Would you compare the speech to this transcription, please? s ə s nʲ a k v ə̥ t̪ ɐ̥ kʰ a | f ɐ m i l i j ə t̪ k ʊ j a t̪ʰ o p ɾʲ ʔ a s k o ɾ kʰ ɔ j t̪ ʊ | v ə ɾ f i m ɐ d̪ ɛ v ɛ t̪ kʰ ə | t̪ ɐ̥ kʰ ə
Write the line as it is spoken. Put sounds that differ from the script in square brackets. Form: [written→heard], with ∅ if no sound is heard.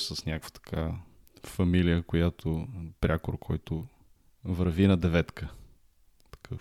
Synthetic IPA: s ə s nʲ a k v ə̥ t̪ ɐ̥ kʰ a | f ɐ m i l i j ə [t̪→∅] k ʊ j a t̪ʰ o p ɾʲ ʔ a [s→∅] k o ɾ kʰ ɔ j t̪ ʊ | v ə ɾ [f→v] i [m→n] ɐ d̪ ɛ v ɛ t̪ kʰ ə | t̪ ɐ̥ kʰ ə